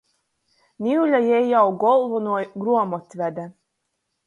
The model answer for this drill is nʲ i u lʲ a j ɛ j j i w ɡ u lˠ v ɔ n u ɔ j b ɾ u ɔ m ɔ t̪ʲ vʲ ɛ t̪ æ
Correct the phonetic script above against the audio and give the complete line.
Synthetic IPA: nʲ i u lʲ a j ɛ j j a w ɡ ɔ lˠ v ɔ n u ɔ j ɡ ɾ u ɔ m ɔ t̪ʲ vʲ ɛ d̪ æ